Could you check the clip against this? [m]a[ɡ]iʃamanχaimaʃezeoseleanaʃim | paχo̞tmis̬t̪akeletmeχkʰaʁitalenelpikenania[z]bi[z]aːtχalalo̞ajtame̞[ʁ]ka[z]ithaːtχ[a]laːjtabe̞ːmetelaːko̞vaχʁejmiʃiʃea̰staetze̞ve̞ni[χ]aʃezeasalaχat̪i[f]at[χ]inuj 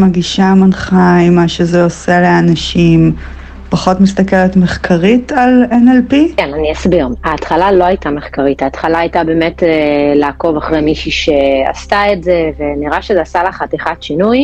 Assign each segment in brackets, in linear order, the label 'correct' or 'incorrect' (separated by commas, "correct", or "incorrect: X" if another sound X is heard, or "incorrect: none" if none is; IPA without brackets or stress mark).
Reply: correct, correct, incorrect: s, incorrect: ʁ, incorrect: χ, incorrect: ʁ, correct, incorrect: ʁ, incorrect: χ, incorrect: ʃ